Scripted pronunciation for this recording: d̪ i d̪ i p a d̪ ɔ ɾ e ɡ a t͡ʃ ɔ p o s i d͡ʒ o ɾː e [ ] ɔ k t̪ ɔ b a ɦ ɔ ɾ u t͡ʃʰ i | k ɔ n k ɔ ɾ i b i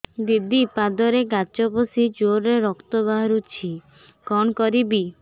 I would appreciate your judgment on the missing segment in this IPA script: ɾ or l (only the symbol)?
ɾ